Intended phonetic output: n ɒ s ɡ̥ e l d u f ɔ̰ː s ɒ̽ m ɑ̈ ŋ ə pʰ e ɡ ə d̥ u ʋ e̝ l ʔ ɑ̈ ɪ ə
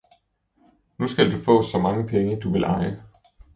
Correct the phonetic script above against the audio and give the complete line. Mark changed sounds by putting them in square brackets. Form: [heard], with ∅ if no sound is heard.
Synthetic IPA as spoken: n [u] s ɡ̥ [æ] l d u f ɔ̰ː s ɒ̽ m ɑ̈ ŋ ə pʰ e [ŋ] ə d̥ u ʋ e̝ l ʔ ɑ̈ ɪ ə